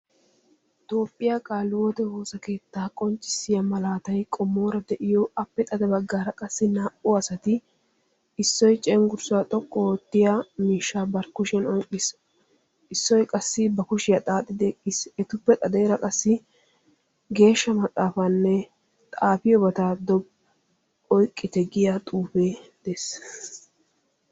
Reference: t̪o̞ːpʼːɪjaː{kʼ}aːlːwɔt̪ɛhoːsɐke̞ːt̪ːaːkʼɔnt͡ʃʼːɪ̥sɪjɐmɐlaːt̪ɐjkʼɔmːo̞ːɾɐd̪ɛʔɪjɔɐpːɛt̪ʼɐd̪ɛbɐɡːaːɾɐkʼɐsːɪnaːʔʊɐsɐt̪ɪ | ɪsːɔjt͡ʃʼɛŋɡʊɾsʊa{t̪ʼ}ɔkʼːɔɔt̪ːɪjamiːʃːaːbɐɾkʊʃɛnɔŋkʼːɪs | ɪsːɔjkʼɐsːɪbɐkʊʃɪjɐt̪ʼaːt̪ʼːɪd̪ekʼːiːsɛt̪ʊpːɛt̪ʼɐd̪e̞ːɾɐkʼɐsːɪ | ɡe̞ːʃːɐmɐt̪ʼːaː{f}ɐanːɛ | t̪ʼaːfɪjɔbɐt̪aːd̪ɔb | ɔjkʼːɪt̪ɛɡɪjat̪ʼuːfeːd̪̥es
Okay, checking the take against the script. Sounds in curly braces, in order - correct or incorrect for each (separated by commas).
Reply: correct, correct, correct